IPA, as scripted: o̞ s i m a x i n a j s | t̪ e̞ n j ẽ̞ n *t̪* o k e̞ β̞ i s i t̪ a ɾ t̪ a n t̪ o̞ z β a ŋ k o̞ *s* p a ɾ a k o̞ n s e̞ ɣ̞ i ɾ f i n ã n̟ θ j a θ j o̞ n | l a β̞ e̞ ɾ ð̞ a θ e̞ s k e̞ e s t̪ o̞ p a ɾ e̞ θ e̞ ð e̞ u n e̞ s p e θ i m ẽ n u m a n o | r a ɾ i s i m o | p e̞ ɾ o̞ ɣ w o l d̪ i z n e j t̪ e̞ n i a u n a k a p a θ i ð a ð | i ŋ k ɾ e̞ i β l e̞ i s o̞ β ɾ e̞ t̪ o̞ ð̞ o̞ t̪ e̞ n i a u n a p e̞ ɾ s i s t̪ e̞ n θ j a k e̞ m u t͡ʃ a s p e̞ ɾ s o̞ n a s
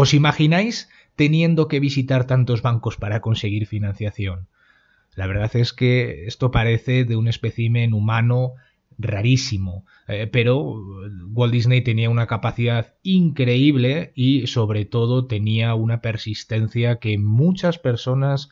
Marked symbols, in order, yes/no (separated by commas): no, yes